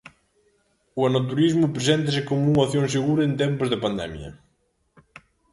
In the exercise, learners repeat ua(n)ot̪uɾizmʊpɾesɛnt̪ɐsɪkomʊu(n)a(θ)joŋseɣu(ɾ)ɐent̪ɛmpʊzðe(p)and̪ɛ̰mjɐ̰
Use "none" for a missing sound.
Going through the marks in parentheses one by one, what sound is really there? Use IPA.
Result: n, ŋ, θ, ɾ, p

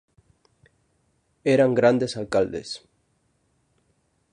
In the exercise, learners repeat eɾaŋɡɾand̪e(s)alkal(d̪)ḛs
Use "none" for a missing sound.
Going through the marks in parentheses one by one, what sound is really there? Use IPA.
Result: s, d̪

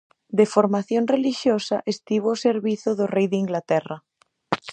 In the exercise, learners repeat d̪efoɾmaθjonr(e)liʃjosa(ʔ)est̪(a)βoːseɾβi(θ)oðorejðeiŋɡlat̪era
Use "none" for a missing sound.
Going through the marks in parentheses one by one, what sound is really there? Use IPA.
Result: e, ʔ, i, θ

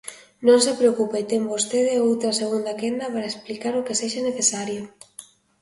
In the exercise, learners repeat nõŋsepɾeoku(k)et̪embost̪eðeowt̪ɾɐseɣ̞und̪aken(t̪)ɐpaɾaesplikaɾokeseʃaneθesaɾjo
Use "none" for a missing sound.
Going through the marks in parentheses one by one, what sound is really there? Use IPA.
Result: p, d̪

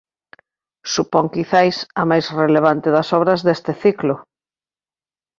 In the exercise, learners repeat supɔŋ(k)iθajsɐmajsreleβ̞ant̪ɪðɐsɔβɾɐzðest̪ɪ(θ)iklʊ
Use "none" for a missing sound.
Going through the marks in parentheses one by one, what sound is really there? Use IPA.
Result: k, θ

